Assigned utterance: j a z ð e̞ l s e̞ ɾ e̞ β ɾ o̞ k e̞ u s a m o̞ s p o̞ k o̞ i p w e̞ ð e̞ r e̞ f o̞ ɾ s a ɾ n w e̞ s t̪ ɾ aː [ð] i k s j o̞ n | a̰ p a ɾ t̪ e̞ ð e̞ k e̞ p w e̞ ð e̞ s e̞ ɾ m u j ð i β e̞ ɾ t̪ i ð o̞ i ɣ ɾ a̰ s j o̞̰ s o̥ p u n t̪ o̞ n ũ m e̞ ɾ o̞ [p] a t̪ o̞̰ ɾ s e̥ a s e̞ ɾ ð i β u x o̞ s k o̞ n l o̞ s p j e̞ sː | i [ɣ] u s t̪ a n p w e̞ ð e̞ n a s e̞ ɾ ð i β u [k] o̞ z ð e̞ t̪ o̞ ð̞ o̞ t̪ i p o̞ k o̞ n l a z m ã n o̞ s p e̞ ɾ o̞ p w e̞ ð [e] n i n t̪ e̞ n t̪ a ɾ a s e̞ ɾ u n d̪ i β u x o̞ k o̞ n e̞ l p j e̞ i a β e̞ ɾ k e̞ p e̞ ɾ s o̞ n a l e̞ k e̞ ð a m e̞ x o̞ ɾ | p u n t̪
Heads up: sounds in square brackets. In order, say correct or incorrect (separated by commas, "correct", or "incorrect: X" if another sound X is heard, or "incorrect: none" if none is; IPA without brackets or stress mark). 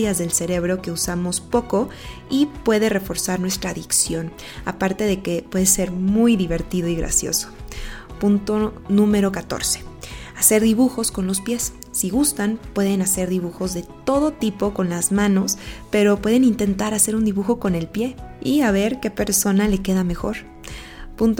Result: correct, incorrect: k, correct, incorrect: x, correct